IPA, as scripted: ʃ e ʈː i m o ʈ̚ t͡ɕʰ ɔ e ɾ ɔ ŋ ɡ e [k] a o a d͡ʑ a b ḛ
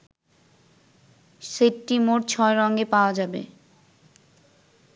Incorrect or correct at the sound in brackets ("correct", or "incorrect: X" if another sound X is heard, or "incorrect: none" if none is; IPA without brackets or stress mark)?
incorrect: p